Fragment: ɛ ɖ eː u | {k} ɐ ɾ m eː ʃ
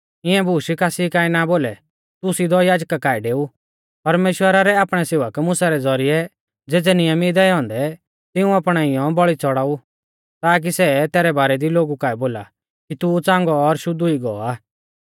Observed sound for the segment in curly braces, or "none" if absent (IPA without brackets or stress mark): p